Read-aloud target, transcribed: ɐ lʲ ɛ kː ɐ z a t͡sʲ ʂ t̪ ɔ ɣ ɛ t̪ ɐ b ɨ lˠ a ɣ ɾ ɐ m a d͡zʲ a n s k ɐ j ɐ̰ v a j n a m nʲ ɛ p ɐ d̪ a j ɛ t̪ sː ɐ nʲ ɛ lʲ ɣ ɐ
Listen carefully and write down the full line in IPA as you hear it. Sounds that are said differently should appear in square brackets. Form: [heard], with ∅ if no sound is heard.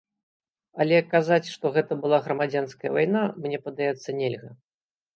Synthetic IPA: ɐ lʲ ɛ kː [a] z a t͡sʲ ʂ t̪ ɔ ɣ ɛ t̪ ɐ b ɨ lˠ a ɣ ɾ ɐ m a d͡zʲ a n s k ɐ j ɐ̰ v a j n a m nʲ ɛ p ɐ d̪ a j ɛ t̪ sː ɐ nʲ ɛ lʲ ɣ ɐ